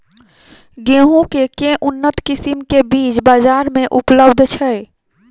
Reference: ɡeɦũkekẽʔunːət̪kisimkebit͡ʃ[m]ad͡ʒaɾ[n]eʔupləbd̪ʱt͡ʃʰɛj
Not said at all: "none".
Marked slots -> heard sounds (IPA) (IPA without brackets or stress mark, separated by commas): b, m